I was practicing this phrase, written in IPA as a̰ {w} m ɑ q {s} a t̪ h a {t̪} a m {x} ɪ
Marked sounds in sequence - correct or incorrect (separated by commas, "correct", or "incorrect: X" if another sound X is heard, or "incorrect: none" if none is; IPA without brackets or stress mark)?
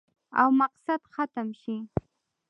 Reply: correct, correct, correct, incorrect: ʃ